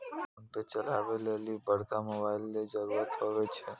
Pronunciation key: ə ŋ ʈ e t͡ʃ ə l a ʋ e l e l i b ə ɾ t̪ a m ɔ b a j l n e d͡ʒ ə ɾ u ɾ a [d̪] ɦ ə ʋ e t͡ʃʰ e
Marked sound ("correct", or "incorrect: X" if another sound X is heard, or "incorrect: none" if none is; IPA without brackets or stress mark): incorrect: t̪